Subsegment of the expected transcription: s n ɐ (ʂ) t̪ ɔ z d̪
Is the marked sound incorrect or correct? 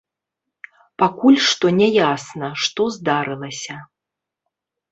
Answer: correct